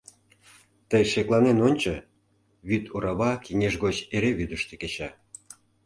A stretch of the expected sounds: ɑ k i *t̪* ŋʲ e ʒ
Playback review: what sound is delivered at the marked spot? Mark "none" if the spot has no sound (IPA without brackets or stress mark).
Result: none